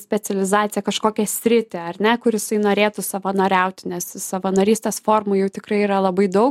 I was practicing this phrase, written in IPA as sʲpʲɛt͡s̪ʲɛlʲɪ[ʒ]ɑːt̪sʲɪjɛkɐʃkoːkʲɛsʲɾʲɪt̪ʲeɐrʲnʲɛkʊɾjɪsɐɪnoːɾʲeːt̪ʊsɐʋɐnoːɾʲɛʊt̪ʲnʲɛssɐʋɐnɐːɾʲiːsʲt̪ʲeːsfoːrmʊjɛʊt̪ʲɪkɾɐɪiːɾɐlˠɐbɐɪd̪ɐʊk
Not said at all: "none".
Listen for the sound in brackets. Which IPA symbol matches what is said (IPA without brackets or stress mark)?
z